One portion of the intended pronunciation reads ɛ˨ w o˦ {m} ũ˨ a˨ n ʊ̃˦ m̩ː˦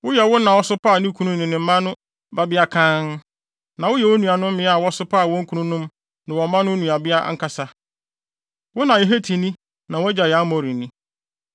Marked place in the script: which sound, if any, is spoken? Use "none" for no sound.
n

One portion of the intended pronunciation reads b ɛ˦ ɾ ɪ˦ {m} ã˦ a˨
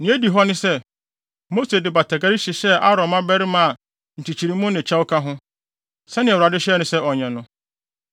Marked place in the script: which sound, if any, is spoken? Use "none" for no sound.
m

